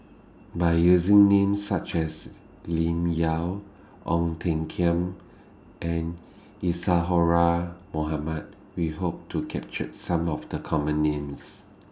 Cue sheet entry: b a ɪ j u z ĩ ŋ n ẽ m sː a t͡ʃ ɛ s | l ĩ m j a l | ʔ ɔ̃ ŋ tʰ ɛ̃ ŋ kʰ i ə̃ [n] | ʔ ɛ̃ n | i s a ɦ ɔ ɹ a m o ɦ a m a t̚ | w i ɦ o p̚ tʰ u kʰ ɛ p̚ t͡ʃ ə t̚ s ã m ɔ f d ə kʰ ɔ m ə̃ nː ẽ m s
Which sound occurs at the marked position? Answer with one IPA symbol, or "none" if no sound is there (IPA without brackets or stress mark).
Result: m